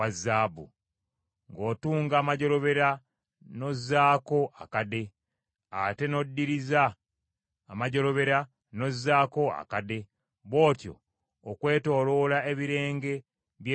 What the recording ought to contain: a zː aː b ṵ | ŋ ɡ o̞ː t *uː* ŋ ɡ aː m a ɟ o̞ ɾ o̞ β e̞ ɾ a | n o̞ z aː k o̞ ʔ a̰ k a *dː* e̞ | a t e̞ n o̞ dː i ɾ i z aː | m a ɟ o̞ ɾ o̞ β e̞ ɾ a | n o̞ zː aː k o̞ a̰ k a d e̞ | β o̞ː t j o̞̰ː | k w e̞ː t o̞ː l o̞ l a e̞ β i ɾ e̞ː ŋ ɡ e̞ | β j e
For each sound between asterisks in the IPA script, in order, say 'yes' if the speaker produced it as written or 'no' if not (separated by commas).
yes, no